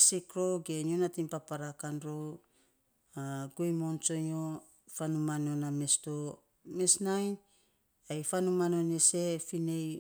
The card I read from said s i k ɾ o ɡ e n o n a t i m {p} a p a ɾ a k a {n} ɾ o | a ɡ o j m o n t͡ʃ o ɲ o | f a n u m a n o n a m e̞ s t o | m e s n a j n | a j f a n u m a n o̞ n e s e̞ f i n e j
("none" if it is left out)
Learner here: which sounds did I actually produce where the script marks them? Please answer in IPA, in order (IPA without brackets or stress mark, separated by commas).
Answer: p, n